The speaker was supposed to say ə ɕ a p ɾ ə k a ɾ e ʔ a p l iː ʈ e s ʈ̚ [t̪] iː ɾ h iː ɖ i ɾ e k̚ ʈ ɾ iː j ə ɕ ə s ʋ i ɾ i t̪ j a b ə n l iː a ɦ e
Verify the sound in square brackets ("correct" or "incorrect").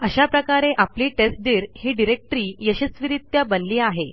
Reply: incorrect